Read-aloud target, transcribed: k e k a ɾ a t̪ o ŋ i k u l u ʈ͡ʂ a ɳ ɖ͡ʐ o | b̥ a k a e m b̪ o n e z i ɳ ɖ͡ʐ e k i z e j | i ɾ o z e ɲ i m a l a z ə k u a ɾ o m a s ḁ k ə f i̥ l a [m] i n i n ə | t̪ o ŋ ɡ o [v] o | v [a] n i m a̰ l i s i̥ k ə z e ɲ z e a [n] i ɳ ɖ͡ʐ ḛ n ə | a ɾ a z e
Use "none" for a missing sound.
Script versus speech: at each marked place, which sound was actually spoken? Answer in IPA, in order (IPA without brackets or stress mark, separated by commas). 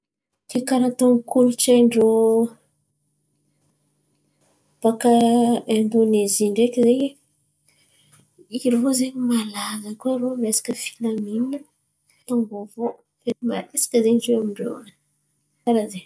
m, v, e, m